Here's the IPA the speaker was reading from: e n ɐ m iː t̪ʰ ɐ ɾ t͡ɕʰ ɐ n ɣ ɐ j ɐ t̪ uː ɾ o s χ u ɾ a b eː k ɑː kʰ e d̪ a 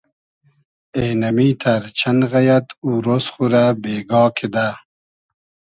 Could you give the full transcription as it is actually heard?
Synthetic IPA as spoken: e n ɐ m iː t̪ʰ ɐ ɾ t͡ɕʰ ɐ n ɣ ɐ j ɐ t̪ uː ɾ o s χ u ɾ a b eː ɡ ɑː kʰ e d̪ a